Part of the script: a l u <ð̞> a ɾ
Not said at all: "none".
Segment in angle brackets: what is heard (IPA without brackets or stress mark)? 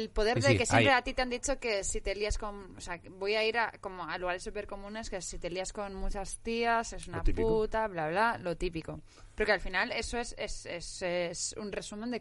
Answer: ɣ̞